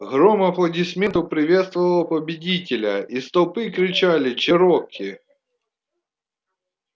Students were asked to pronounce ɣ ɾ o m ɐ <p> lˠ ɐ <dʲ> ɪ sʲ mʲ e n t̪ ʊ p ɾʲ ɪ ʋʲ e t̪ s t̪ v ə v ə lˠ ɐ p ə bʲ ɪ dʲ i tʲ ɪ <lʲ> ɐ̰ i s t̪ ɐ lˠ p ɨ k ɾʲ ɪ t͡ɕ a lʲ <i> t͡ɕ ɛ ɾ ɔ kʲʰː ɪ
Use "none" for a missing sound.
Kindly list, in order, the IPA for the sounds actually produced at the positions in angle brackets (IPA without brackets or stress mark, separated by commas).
p, dʲ, lʲ, ɪ